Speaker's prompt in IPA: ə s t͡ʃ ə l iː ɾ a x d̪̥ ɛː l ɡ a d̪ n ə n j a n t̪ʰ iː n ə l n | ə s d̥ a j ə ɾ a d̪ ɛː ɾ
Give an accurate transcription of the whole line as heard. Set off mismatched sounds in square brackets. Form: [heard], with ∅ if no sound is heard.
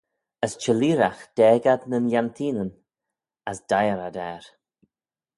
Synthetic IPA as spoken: ə s t͡ʃ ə l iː ɾ a x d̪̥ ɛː [∅] ɡ a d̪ n ə n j a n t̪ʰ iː n ə [∅] n | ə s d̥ a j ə ɾ a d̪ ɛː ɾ